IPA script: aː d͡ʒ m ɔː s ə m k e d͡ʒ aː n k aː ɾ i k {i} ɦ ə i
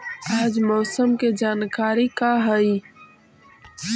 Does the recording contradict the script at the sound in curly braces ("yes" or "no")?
yes